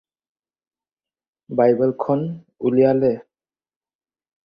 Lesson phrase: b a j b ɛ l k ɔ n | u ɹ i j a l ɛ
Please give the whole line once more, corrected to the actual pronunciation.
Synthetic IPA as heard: b a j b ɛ l kʰ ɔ n | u l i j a l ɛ